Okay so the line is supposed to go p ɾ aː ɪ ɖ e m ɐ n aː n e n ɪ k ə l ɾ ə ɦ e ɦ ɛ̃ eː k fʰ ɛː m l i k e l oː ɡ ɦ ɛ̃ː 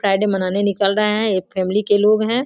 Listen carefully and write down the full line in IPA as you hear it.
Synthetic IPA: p ɾ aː ɪ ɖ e m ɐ n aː n e n ɪ k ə l ɾ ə ɦ e ɦ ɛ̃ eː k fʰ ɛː m l i k e l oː ɡ ɦ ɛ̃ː